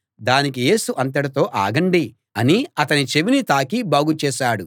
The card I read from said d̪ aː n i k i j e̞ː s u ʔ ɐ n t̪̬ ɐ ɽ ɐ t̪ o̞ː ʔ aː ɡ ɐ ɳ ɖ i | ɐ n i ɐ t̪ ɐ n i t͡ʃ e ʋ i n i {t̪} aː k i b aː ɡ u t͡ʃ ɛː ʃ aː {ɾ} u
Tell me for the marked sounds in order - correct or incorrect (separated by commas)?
correct, incorrect